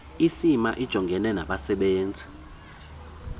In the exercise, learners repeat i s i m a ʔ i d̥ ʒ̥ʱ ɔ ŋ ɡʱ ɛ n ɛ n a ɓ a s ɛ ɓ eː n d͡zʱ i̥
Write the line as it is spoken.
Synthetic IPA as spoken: i s i m a ʔ i d̥ ʒ̥ʱ ɔ ŋ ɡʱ ɛ n ɛ n a ɓ a s ɛ ɓ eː n d͡zʱ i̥